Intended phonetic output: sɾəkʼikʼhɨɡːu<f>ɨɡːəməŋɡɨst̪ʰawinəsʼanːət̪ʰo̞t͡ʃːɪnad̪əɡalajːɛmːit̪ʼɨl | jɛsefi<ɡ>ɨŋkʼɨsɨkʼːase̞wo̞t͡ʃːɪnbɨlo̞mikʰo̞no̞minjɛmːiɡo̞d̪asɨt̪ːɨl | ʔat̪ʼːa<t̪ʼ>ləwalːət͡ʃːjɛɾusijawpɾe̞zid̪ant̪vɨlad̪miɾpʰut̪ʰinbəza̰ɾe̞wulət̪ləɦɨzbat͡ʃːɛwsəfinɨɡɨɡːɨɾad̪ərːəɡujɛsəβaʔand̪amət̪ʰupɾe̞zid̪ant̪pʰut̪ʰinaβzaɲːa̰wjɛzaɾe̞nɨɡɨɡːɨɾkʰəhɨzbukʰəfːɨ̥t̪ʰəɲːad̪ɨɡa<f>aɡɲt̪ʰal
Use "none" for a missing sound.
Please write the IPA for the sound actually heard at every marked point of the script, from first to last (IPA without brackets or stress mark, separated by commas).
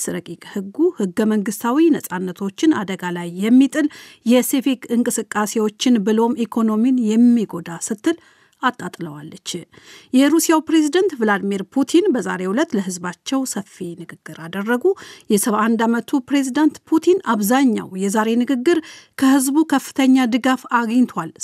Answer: h, k, t̪ʼ, f